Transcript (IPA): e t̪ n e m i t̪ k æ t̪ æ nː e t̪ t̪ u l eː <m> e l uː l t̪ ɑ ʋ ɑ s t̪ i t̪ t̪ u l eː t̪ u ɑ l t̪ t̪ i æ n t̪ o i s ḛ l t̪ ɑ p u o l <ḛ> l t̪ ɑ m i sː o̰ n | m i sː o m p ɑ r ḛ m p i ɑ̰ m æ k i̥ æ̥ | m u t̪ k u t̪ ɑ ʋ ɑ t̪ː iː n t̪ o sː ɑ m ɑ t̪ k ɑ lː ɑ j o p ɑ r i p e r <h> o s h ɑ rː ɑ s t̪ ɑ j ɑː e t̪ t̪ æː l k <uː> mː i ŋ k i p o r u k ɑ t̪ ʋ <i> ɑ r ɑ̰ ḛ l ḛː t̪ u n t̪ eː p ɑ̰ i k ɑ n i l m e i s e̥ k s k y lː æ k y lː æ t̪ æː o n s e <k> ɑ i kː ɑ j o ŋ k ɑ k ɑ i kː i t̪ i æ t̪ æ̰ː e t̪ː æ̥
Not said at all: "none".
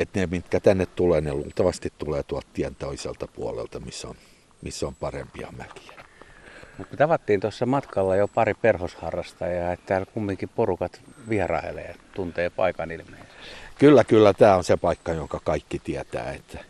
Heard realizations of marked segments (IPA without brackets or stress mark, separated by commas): n, ḛ, h, u, i, p